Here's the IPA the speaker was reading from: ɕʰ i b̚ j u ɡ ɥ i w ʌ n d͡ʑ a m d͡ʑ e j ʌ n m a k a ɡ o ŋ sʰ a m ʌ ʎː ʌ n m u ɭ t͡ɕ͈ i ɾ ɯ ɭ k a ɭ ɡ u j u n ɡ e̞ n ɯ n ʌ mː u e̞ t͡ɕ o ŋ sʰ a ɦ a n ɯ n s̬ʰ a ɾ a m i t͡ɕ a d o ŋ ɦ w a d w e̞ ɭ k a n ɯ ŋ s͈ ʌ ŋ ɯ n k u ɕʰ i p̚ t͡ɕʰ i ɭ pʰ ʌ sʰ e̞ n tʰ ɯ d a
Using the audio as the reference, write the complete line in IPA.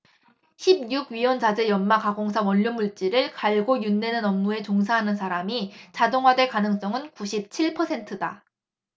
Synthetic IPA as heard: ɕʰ i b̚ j u ɡ ɥ i w ʌ n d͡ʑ a d͡ʑ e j ʌ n m a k a ɡ o ŋ sʰ a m ʌ ʎː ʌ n m u ɭ t͡ɕ͈ i ɾ ɯ ɭ k a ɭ ɡ o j u n d e̞ n ɯ n ʌ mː u e̞ t͡ɕ o ŋ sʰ a ɦ a n ɯ n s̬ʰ a ɾ a m i t͡ɕ a d o ŋ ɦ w a d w e̞ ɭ k a n ɯ ŋ s͈ ʌ ŋ ɯ n k u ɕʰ i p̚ t͡ɕʰ i ɭ pʰ ʌ sʰ e̞ n tʰ ɯ d a